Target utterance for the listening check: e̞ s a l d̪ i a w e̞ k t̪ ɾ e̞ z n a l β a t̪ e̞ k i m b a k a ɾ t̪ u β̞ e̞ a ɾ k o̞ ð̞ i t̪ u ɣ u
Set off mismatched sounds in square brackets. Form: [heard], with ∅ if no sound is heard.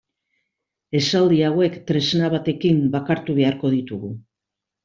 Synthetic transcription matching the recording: e̞ s a l d̪ i a w e̞ k t̪ ɾ e̞ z n a [∅] β a t̪ e̞ k i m b a k a ɾ t̪ u β̞ e̞ a ɾ k o̞ ð̞ i t̪ u ɣ u